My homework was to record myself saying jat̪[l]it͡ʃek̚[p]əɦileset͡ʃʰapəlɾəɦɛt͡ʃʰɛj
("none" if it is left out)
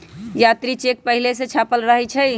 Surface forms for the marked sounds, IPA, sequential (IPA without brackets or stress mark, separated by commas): ɾ, p